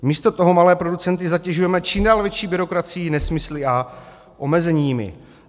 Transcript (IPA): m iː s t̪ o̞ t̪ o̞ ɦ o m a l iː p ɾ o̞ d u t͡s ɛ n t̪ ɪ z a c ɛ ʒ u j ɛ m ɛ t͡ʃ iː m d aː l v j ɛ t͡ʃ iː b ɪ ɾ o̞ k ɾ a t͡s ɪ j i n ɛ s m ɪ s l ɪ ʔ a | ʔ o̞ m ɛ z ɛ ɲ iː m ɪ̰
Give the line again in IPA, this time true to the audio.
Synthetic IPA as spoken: m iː s t̪ o̞ t̪ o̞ ɦ o m a l ɛː p ɾ o̞ d u t͡s ɛ n t̪ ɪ z a c ɛ ʒ u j ɛ m ɛ t͡ʃ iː m d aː l v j ɛ t͡ʃ iː b ɪ ɾ o̞ k ɾ a t͡s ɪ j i n ɛ s m ɪ s l ɪ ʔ a | ʔ o̞ m ɛ z ɛ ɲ iː m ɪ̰